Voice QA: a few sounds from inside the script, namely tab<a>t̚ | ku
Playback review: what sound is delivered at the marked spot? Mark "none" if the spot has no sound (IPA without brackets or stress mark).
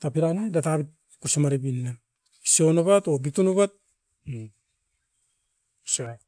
i